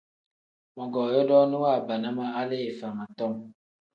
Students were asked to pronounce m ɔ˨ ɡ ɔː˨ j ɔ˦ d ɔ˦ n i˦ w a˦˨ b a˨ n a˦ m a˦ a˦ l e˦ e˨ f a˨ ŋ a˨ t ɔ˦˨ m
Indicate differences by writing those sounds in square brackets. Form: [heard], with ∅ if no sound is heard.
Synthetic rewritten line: m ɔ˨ ɡ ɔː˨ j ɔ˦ d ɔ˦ n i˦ w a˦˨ b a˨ n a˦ m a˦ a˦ l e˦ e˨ f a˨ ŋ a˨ t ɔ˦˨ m

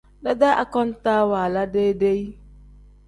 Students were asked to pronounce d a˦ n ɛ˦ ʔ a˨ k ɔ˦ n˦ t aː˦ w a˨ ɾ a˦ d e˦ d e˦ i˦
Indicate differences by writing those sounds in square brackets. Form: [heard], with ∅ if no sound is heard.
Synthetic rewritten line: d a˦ [d] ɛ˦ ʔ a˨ k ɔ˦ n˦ t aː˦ w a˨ [l] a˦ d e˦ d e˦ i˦

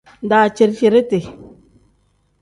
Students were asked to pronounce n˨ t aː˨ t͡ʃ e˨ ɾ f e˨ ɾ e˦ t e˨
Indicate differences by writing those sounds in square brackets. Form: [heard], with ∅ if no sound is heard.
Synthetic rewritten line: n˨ [d] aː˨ t͡ʃ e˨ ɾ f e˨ ɾ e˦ t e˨

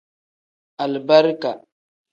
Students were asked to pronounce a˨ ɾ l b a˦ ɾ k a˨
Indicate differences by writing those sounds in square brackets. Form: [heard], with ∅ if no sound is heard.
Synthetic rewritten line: a˨ [∅] l b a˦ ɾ k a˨

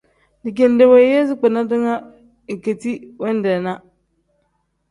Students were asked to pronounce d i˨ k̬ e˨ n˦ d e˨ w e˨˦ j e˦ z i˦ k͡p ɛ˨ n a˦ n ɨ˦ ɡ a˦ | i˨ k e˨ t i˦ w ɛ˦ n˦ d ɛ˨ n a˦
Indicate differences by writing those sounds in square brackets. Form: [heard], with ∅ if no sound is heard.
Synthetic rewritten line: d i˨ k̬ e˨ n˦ d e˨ w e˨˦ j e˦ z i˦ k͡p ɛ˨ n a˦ [d] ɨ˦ [ŋ] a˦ | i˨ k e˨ t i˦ w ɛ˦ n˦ d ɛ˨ n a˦

